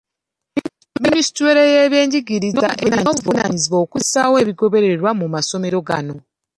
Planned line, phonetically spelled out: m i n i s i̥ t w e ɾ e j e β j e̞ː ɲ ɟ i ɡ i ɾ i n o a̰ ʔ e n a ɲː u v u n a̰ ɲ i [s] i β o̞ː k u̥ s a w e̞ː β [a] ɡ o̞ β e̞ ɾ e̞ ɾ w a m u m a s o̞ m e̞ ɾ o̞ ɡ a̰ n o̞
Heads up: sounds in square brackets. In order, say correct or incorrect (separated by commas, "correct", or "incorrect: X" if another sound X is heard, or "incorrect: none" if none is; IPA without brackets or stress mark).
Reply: incorrect: z, incorrect: i